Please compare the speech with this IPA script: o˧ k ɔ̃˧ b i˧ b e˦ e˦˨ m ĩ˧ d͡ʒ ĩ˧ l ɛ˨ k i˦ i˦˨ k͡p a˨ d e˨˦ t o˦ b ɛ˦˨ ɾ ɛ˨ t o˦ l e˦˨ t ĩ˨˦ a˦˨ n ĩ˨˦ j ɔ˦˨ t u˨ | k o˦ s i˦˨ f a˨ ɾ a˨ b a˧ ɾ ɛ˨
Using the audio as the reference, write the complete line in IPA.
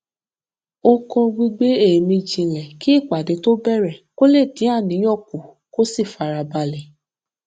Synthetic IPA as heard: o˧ k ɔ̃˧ ɡ͡b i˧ ɡ͡b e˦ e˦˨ m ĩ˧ d͡ʒ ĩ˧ l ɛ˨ k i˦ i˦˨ k͡p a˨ d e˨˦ t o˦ b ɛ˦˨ ɾ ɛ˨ k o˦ l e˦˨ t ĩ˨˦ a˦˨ n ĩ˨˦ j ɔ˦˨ k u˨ | k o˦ s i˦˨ f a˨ ɾ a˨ b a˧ l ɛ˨